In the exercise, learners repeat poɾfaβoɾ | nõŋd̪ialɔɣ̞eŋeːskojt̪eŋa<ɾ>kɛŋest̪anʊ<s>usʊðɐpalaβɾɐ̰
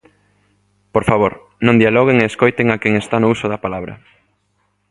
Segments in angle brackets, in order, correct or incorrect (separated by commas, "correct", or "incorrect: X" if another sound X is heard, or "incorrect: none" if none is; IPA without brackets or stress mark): incorrect: none, incorrect: none